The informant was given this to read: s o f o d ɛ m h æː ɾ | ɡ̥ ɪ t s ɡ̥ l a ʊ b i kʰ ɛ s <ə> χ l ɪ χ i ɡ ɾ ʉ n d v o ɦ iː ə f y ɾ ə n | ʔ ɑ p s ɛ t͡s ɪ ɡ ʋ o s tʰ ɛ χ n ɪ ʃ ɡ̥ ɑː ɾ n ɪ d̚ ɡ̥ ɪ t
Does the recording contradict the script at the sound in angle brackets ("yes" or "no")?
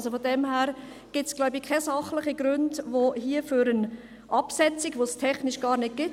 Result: yes